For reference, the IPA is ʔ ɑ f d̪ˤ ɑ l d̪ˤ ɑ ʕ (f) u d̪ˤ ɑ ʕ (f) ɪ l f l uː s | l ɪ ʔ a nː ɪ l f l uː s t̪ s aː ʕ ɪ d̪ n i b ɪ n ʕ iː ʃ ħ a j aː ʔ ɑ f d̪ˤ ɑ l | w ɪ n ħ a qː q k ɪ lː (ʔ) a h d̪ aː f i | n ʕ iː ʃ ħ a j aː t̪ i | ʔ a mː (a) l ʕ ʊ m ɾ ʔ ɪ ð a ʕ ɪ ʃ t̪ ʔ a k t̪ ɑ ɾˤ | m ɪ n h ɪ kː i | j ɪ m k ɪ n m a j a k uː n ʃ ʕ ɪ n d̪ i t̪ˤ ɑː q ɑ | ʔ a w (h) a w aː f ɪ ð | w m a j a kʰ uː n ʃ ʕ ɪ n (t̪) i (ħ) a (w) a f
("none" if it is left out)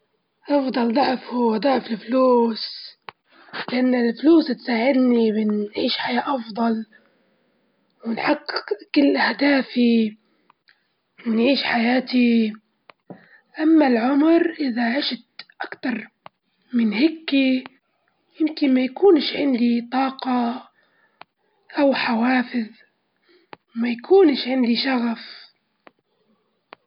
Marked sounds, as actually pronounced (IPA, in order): f, f, ʔ, a, ħ, d̪, ʃ, ɣ

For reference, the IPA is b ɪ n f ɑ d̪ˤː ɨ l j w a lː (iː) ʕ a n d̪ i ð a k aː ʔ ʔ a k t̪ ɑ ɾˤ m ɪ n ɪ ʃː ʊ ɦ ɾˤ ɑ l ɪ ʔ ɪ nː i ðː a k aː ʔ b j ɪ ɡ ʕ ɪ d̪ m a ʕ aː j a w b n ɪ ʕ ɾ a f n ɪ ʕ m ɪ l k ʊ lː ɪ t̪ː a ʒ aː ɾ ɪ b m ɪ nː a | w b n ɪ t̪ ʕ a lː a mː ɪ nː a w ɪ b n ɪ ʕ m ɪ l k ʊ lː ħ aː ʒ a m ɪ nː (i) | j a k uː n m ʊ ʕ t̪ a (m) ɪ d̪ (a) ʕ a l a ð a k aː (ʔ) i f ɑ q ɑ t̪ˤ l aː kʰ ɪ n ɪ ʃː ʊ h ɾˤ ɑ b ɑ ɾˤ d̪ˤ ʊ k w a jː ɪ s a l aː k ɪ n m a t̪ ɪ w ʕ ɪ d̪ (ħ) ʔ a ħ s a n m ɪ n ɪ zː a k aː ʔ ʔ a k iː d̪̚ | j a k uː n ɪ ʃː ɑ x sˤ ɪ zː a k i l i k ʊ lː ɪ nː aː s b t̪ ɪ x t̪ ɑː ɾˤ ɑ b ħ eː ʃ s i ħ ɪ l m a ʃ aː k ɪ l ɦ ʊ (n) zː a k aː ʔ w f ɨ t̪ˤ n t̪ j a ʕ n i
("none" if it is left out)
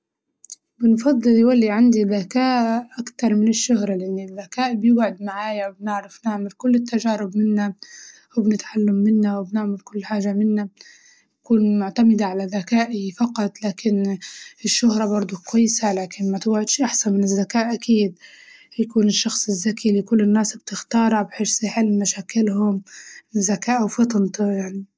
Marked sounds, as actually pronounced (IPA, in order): i, a, m, a, ʔ, ʃ, m

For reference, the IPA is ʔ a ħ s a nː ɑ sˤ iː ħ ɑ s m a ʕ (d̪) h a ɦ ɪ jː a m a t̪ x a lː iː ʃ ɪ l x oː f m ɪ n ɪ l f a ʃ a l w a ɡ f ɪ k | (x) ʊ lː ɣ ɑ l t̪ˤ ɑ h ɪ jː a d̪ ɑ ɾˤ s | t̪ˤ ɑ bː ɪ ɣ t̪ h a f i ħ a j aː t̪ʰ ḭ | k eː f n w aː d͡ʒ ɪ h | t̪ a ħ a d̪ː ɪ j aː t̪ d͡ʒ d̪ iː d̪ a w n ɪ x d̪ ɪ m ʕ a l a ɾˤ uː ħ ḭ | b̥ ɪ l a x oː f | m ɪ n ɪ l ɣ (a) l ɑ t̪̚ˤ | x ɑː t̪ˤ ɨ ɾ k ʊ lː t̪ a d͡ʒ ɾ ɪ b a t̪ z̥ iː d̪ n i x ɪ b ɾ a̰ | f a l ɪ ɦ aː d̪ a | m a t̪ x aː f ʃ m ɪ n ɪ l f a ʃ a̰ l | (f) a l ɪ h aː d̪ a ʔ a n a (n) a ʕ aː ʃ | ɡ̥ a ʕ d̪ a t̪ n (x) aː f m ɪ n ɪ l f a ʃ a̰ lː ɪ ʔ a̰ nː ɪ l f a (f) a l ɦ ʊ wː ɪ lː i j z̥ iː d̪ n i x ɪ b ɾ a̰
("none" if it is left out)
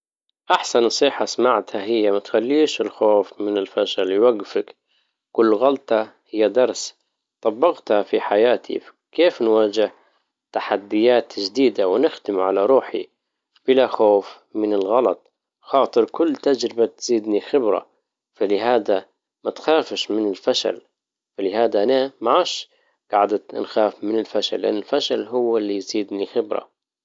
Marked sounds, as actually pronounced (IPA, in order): t̪, k, ɑ, f, m, x, ʃ

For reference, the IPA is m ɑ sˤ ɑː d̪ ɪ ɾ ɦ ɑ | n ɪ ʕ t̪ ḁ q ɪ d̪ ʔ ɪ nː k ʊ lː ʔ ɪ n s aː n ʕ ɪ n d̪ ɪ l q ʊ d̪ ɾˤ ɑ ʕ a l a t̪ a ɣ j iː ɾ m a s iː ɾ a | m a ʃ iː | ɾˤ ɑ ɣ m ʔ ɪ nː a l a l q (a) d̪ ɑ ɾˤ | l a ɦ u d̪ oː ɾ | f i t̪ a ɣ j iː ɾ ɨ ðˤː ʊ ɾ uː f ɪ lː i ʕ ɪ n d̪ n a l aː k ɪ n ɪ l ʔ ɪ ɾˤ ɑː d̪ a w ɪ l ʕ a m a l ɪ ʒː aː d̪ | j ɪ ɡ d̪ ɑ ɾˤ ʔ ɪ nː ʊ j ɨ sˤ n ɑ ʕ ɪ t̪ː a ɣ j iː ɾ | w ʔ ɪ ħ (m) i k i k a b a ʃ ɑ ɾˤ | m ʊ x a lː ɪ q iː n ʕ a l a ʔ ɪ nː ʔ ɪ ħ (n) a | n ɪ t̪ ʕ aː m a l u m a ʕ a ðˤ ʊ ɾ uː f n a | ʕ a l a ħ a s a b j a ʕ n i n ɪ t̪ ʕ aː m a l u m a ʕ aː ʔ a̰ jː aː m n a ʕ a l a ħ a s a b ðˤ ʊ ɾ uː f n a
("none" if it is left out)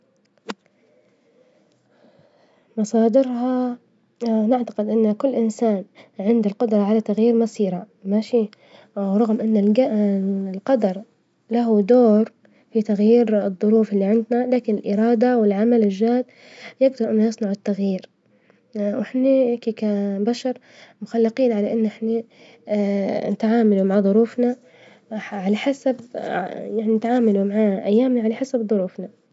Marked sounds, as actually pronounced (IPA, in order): ɑ, n, n

